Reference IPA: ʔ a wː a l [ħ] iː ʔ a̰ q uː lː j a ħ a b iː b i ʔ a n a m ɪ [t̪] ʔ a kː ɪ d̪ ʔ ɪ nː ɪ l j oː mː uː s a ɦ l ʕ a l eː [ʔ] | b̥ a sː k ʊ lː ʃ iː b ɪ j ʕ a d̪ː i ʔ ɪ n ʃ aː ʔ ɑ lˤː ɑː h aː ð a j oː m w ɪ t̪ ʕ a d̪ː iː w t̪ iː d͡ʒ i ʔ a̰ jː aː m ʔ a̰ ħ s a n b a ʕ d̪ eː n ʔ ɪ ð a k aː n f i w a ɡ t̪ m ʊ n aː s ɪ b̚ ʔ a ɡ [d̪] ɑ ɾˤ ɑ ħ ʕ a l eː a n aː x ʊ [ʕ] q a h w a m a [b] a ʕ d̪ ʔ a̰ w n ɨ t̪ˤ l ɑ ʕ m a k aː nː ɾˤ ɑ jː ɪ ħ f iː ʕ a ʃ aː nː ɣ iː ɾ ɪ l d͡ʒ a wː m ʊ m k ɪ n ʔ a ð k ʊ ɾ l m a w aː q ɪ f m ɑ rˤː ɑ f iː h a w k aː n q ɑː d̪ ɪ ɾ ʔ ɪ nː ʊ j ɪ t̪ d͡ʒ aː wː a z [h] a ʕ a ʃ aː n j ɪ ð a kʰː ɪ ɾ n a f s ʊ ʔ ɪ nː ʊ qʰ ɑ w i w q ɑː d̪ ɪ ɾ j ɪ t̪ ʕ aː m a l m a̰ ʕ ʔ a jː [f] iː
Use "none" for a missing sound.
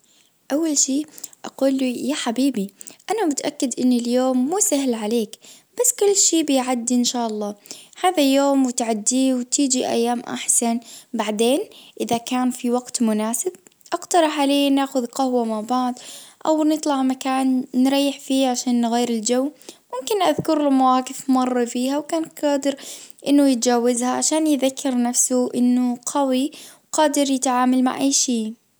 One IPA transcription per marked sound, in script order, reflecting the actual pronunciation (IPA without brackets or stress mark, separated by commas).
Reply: ʃ, t̪, k, t̪, ð, b, h, ʃ